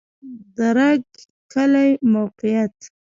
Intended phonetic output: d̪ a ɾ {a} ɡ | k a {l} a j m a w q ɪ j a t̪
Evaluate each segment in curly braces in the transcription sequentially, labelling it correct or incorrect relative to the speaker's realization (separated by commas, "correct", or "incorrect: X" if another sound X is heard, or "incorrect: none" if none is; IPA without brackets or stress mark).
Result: correct, correct